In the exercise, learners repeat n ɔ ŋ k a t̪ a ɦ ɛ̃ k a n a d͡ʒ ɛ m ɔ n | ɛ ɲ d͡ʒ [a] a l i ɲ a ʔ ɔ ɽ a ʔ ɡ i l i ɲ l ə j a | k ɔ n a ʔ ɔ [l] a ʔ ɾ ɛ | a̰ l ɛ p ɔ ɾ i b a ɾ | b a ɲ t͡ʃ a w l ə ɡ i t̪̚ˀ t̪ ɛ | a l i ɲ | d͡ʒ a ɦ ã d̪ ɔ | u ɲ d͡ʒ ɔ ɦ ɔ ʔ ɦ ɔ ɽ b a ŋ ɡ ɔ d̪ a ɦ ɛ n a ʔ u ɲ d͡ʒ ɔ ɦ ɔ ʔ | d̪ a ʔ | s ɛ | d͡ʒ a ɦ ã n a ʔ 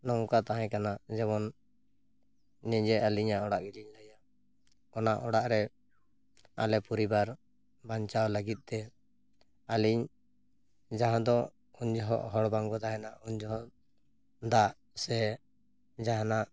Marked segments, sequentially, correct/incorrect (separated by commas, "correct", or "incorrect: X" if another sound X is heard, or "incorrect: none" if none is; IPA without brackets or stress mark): incorrect: ɛ, incorrect: ɽ